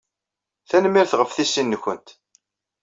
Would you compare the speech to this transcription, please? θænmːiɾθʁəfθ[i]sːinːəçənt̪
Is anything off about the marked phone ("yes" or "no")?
no